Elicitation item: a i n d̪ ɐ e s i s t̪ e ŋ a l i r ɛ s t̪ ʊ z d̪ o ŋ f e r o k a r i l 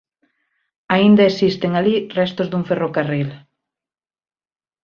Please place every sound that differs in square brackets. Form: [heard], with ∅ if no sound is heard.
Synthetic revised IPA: a i n d̪ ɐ e s i s t̪ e ŋ a l i r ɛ s t̪ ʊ z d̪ [u] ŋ f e r o k a r i l